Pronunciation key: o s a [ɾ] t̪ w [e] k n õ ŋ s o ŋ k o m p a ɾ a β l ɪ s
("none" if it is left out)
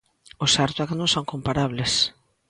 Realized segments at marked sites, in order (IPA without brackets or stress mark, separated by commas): ɾ, a